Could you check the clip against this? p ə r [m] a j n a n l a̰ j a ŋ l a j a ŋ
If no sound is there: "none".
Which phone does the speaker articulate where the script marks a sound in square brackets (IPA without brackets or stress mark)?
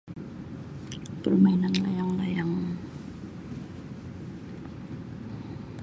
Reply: m